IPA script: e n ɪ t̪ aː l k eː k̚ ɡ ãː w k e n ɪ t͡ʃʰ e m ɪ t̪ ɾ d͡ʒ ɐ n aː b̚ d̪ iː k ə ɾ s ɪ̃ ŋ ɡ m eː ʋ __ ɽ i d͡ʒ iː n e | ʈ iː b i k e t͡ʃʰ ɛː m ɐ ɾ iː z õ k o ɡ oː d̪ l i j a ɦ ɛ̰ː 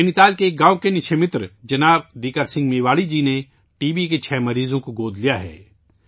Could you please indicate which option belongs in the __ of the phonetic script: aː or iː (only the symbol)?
aː